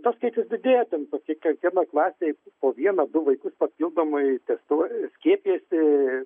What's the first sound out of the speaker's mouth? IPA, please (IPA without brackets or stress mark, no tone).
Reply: t̪